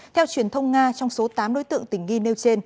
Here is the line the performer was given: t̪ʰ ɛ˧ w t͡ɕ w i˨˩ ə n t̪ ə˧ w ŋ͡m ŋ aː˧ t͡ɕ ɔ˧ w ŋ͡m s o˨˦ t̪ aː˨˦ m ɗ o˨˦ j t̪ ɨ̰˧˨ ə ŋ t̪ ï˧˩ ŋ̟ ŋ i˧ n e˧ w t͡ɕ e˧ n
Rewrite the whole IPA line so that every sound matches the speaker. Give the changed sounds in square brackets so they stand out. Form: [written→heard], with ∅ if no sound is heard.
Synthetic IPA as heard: t̪ʰ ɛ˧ w t͡ɕ w i˨˩ ə n [t̪→t̪ʰ] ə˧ w ŋ͡m ŋ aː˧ t͡ɕ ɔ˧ w ŋ͡m s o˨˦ t̪ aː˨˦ m ɗ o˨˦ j t̪ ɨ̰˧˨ ə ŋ t̪ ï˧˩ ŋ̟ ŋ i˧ n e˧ w t͡ɕ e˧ n

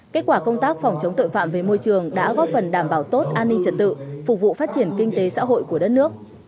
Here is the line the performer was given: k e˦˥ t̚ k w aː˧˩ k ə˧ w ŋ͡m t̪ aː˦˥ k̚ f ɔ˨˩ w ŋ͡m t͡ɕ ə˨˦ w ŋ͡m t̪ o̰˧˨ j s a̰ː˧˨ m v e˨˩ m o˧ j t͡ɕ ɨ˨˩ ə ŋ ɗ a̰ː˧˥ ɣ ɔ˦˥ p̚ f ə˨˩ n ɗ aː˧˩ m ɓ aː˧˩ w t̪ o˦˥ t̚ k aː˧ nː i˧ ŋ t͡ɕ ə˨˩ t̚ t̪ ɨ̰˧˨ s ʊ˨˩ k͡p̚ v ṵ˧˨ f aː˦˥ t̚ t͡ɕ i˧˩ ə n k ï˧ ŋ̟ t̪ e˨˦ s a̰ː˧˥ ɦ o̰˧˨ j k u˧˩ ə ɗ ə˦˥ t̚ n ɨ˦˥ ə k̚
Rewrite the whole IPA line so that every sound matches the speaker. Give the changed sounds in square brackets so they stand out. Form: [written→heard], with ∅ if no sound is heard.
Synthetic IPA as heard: k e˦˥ t̚ k w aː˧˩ k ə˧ w ŋ͡m t̪ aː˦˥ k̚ f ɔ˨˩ w ŋ͡m t͡ɕ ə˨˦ w ŋ͡m t̪ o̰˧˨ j [s→f] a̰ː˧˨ m v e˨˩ m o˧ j t͡ɕ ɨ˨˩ ə ŋ ɗ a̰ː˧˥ ɣ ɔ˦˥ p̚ f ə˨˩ n ɗ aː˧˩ m ɓ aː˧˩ w t̪ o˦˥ t̚ [k→ʔ] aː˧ nː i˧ ŋ t͡ɕ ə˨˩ t̚ t̪ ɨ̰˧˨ [s→f] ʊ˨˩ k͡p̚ v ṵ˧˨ f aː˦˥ t̚ t͡ɕ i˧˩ ə n k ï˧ ŋ̟ t̪ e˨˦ s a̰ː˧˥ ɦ o̰˧˨ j k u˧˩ ə ɗ ə˦˥ t̚ n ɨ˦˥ ə k̚

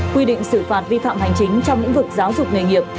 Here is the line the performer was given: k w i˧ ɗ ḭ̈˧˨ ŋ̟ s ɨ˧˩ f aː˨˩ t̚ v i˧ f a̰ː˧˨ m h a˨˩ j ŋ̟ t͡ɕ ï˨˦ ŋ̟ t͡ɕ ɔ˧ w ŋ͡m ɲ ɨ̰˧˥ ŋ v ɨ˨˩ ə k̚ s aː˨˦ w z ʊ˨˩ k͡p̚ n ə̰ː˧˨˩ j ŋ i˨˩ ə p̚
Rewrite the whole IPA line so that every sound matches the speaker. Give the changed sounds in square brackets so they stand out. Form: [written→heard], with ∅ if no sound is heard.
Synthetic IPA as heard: k w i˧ ɗ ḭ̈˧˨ ŋ̟ s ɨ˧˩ f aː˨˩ t̚ v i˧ f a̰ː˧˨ m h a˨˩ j ŋ̟ t͡ɕ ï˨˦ ŋ̟ t͡ɕ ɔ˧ w ŋ͡m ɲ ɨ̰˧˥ ŋ v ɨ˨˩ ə k̚ [s→z] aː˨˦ w z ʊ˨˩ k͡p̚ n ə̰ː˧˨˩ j ŋ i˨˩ ə p̚

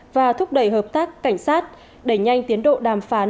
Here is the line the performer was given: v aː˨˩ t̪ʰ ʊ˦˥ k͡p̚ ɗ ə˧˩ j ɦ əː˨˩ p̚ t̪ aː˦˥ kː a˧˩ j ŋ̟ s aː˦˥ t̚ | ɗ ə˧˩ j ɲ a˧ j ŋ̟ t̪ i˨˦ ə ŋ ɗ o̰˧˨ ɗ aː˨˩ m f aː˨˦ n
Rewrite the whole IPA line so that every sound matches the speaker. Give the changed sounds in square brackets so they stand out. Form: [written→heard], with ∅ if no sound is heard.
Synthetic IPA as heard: v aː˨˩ t̪ʰ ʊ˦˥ k͡p̚ ɗ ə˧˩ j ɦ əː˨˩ p̚ t̪ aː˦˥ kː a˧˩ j ŋ̟ s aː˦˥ t̚ | ɗ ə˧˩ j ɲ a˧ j ŋ̟ t̪ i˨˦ ə [ŋ→n] ɗ o̰˧˨ ɗ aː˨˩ m f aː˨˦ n

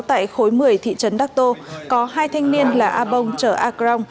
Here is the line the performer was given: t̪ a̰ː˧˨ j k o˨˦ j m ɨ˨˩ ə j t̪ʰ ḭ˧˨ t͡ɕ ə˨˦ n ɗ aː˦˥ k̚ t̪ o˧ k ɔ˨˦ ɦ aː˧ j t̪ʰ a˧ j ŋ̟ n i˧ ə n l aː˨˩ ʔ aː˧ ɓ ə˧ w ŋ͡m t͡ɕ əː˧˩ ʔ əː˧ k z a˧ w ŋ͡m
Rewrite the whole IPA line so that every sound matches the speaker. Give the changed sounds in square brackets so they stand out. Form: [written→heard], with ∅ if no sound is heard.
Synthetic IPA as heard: t̪ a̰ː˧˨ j [k→x] o˨˦ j m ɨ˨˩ ə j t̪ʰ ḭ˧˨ t͡ɕ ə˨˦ n ɗ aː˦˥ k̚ t̪ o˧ k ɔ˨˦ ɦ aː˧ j t̪ʰ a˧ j ŋ̟ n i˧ ə n l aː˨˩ ʔ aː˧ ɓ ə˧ w ŋ͡m t͡ɕ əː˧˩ ʔ [əː˧→aː˧] k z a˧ w ŋ͡m

